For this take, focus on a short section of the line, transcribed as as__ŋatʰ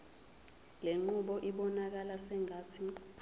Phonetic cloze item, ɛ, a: ɛ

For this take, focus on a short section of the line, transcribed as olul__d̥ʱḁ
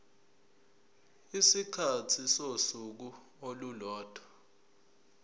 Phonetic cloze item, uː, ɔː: ɔː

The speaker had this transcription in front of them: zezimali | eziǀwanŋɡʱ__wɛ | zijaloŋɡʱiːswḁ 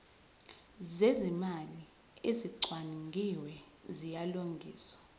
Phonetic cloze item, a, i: i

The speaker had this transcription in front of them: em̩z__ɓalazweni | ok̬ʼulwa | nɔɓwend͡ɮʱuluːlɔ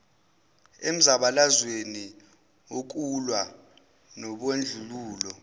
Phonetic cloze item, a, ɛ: a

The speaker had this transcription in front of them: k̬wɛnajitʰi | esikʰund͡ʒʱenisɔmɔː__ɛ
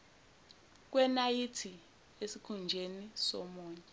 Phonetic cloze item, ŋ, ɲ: ɲ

